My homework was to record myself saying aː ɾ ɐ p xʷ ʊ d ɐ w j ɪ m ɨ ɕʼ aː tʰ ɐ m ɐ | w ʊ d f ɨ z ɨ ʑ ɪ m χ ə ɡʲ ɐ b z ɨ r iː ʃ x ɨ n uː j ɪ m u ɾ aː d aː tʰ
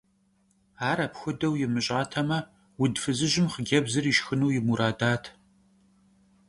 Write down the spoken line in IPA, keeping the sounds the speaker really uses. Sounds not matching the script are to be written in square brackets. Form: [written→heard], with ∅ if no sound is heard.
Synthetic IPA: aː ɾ ɐ p xʷ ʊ d ɐ w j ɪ m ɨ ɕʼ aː tʰ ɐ m ɐ | w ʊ d f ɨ z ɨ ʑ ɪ m χ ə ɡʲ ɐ b z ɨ r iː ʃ x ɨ n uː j ɪ m u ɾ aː d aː tʰ